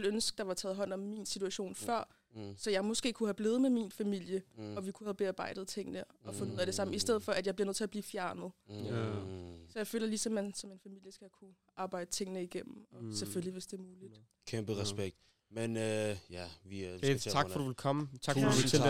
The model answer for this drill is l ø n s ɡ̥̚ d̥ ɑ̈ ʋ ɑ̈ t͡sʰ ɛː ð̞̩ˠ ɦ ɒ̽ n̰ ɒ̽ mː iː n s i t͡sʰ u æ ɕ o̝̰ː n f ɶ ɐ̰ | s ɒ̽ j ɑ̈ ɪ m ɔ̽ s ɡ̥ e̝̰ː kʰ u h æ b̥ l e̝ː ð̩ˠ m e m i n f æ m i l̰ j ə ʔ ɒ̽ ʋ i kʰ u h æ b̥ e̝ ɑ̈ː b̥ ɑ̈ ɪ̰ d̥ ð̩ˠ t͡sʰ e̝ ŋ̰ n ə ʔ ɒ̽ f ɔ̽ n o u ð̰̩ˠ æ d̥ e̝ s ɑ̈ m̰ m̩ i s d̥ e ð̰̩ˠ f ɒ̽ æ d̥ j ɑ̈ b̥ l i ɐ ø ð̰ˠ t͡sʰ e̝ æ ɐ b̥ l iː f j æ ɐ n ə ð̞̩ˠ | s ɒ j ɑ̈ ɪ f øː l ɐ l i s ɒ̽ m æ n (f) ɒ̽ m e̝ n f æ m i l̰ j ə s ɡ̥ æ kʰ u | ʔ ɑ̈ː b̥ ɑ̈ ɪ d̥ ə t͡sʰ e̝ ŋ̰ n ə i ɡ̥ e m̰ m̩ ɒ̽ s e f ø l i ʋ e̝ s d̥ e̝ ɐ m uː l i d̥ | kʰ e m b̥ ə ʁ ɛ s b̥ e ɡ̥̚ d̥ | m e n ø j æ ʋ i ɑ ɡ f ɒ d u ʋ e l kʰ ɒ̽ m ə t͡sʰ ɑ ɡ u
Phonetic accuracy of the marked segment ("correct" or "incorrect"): incorrect